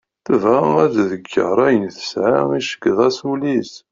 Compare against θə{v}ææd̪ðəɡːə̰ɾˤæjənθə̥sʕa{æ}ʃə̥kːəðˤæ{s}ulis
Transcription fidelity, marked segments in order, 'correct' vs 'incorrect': correct, incorrect, correct

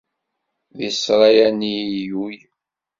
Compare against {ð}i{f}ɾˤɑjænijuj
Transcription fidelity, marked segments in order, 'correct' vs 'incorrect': correct, incorrect

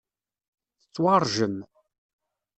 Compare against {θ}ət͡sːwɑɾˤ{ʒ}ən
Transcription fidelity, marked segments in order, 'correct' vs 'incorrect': correct, correct

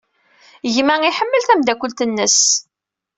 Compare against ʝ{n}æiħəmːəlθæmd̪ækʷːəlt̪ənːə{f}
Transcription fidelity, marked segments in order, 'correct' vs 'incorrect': incorrect, incorrect

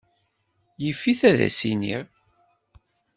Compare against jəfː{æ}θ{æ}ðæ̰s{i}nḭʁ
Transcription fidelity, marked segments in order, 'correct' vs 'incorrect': incorrect, correct, correct

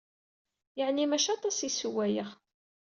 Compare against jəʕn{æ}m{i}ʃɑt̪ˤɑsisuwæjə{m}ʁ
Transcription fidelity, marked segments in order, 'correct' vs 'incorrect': incorrect, incorrect, incorrect

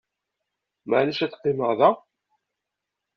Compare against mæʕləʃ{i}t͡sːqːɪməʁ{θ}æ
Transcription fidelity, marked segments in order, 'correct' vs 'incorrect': incorrect, incorrect

